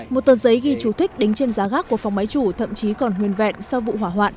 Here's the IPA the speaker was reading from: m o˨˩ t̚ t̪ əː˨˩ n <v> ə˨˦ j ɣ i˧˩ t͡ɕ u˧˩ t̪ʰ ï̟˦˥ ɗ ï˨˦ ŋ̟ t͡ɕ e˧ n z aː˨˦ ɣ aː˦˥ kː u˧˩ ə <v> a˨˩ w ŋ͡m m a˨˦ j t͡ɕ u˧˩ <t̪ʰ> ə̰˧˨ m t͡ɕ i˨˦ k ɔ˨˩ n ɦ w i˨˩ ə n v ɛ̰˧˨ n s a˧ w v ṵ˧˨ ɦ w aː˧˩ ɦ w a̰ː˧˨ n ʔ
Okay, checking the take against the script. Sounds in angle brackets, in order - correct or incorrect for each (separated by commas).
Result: incorrect, incorrect, correct